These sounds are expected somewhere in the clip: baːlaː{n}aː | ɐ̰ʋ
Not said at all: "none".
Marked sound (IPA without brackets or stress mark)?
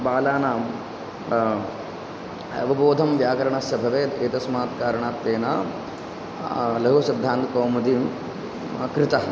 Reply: n